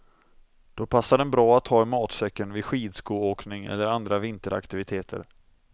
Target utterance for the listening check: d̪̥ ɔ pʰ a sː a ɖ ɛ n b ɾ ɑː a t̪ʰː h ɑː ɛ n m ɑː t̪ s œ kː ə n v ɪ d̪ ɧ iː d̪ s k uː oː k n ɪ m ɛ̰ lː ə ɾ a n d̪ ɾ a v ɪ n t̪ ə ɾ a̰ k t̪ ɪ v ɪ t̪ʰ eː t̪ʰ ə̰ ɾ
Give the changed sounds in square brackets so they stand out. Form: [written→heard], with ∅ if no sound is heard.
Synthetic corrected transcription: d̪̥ ɔ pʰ a sː a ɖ ɛ n b ɾ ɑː a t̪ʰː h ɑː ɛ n m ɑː t̪ s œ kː ə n v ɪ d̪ ɧ iː d̪ s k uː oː k n ɪ [m→ŋ] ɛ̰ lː ə ɾ a n d̪ ɾ a v ɪ n t̪ ə ɾ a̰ k t̪ ɪ v ɪ t̪ʰ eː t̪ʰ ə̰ ɾ